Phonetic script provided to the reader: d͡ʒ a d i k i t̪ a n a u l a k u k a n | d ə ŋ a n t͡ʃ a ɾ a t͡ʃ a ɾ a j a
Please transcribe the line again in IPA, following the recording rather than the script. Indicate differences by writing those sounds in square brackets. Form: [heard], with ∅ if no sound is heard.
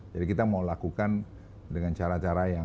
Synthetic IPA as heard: d͡ʒ a d i k i t̪ a [m] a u l a k u k a n | d ə ŋ a n t͡ʃ a ɾ a t͡ʃ a ɾ a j a